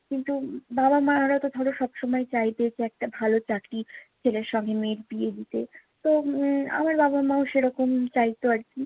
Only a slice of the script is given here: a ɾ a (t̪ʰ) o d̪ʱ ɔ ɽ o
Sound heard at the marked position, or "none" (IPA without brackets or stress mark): t̪